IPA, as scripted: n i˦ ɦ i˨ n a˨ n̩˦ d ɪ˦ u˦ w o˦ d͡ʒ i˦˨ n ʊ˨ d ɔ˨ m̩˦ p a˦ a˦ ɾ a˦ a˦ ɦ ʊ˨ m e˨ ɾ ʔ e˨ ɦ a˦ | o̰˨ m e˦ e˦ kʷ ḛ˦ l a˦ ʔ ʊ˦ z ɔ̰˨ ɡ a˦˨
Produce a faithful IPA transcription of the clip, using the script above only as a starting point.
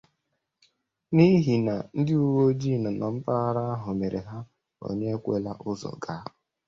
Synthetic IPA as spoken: n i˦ ɦ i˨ n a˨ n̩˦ d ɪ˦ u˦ w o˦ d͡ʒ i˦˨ n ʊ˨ n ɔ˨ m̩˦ p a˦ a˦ ɾ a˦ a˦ ɦ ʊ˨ m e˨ ɾ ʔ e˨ ɦ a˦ | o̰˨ ɲ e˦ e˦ kʷ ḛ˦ l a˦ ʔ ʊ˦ z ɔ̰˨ ɡ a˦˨